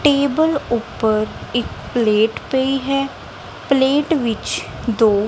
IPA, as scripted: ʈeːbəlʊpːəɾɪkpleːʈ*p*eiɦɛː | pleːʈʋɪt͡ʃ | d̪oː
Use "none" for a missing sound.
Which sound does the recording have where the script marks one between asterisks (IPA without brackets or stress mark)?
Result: p